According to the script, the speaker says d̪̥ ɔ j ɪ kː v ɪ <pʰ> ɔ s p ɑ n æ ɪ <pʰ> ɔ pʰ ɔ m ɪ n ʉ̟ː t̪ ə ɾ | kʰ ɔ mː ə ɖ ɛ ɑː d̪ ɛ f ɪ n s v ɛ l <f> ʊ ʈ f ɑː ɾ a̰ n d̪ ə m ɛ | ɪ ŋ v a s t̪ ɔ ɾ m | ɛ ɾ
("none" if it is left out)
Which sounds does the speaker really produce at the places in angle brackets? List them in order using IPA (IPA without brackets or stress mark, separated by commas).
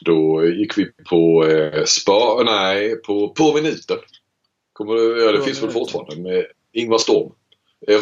pʰ, pʰ, f